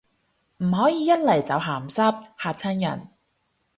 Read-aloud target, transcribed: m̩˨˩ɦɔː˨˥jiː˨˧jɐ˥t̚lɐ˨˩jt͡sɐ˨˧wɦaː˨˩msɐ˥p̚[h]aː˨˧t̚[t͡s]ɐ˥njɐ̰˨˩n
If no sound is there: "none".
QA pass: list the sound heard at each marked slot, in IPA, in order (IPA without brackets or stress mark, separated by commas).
h, t͡sʰ